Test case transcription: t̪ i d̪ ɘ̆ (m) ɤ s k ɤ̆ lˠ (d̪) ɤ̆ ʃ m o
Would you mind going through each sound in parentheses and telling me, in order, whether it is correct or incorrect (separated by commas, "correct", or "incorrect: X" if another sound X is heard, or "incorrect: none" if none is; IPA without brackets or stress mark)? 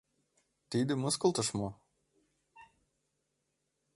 correct, incorrect: t̪